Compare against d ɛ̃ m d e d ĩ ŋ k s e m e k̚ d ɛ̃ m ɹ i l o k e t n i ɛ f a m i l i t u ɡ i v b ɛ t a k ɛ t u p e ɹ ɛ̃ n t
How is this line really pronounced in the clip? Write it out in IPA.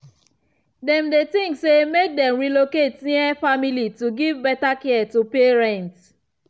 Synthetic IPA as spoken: d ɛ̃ m d e t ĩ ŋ k s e m e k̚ d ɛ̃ m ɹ i l o k e t n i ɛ f a m i l i t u ɡ i v b ɛ t a k ɛ t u p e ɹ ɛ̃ n t

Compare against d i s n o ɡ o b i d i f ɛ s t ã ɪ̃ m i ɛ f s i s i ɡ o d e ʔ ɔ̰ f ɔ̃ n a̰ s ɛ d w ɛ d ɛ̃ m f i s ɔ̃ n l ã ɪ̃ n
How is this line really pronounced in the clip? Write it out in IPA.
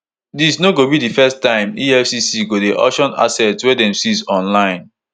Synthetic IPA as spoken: d i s n o ɡ o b i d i f ɛ s t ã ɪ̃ m i ɛ f s i s i ɡ o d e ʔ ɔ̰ ʃ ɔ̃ n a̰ s ɛ t w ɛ d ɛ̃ m s i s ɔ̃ n l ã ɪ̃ n

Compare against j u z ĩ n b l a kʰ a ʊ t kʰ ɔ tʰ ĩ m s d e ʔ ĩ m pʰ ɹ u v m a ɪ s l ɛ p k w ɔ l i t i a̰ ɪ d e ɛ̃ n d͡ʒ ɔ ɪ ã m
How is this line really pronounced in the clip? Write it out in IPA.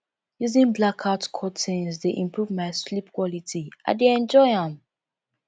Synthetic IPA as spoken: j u z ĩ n b l a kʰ a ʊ t kʰ ɔ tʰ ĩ n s d e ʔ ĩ m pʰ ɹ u v m a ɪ s l i p k w ɔ l i t i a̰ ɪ d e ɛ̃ n d͡ʒ ɔ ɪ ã m

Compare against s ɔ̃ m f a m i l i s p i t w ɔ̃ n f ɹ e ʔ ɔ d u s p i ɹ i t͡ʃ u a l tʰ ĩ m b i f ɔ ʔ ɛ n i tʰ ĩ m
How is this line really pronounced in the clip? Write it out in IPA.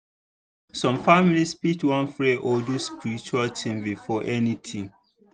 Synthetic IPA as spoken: s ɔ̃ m f a m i l i s p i t w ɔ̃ n f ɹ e ʔ ɔ d u s p i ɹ i t͡ʃ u a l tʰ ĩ m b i f ɔ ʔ ɛ n i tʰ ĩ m

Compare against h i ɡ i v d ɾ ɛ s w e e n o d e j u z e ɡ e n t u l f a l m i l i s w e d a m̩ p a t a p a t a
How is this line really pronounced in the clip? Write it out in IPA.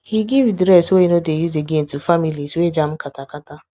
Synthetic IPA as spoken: h i ɡ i v d ɾ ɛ s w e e n o d e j u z e ɡ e n t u f a m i l i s w e d͡ʒ a m̩ k a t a k a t a

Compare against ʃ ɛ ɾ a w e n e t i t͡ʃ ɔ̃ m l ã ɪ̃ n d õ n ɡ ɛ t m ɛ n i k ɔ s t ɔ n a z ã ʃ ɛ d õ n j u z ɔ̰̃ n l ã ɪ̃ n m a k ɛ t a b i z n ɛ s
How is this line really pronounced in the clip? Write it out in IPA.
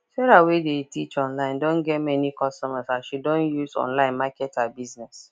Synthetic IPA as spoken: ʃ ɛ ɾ a w e d e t i t͡ʃ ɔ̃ n l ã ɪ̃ n d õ n ɡ ɛ t m ɛ n i k ɔ s t ɔ m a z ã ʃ i d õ n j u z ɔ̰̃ n l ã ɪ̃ n m a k ɛ t a b i z n ɛ s

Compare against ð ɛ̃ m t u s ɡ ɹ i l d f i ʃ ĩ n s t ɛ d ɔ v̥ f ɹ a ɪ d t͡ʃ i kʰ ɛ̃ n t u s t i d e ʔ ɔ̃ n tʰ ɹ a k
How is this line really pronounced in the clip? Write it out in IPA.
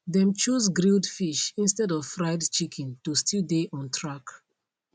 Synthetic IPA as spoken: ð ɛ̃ m t͡ʃ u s ɡ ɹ i l d f i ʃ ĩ n s t ɛ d ɔ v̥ f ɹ a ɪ d t͡ʃ i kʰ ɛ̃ n t u s t i d e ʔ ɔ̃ n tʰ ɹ a k

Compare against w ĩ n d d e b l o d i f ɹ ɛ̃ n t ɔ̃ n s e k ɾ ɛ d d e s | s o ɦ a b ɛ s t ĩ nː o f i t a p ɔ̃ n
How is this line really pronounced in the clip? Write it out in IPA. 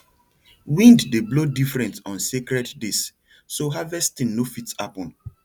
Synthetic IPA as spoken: w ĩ n d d e b l o d i f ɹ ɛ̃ n t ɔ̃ n s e k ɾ ɛ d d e s | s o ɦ a v ɛ s t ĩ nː o f i t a p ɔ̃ n

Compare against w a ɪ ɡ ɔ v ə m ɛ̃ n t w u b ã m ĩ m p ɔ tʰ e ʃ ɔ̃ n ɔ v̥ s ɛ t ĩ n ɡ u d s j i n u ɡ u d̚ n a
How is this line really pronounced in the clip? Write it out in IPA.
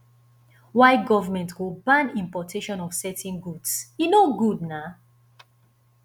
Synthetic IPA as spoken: w a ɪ ɡ ɔ v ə m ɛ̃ n t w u b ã n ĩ m p ɔ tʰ e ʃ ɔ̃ n ɔ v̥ s ɛ t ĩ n ɡ u d s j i n o ɡ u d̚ n a

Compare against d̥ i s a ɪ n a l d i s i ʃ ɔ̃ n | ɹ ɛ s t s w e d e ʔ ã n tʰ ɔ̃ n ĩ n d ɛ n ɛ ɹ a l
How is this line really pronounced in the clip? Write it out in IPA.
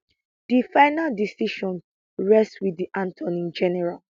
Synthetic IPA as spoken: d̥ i f a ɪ n a l d i s i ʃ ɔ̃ n | ɹ ɛ s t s w i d i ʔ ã n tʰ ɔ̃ n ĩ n d͡ʒ ɛ n ɛ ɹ a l

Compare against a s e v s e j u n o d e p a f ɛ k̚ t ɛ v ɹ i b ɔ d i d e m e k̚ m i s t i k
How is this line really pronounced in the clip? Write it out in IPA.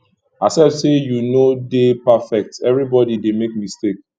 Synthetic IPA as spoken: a s ɛ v s e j u n o d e p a f ɛ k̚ t ɛ v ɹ i b ɔ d i d e m e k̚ m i s t e k

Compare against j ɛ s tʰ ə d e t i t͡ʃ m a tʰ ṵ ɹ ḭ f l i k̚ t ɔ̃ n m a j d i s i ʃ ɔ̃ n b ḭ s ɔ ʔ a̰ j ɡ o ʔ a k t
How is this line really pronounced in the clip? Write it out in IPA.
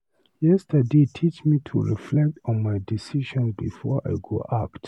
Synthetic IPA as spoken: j ɛ s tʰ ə d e tʰ i t͡ʃ m i tʰ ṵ ɹ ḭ f l ɛ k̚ t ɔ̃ n m a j d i s i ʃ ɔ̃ n b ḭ f ɔ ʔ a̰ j ɡ o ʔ a k t

